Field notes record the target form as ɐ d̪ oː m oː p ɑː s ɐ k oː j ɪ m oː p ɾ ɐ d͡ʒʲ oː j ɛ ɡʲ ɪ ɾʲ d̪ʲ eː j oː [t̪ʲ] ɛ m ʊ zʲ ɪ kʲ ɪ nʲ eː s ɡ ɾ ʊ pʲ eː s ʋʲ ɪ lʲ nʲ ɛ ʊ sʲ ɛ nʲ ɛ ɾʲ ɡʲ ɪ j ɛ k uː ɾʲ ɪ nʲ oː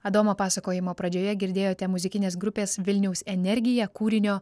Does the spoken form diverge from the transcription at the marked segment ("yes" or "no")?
no